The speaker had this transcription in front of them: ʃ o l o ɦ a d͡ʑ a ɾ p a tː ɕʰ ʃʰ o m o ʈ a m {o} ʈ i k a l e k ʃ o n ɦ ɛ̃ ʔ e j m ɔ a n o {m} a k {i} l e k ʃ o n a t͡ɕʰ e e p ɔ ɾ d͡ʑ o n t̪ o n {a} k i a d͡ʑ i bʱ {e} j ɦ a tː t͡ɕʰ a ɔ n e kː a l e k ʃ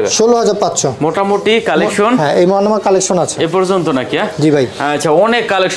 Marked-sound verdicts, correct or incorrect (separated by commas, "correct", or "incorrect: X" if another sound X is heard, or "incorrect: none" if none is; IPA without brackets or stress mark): correct, correct, incorrect: a, correct, incorrect: a